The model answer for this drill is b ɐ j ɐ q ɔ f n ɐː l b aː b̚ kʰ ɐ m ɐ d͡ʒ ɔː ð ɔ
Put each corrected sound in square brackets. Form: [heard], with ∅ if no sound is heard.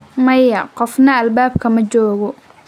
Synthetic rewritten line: [m] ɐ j ɐ q ɔ f n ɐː l b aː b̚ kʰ ɐ m ɐ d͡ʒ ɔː [ɣ] ɔ